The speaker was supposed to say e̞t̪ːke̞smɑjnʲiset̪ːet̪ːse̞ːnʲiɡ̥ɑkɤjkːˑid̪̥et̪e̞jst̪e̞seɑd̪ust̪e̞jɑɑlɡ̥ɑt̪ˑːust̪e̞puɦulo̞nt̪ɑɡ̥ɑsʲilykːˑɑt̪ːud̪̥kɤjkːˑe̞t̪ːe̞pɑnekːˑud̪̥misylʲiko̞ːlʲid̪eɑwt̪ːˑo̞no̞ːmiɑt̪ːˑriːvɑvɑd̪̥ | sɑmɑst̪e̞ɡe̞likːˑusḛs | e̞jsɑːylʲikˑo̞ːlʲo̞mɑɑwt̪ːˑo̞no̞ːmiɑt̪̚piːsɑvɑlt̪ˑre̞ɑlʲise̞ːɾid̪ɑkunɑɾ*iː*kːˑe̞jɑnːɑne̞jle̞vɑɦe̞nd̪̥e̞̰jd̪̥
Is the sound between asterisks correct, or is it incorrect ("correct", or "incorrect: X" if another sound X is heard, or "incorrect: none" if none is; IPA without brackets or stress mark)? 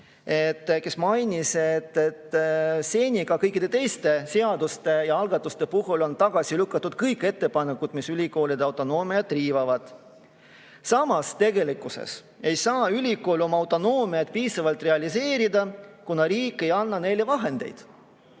correct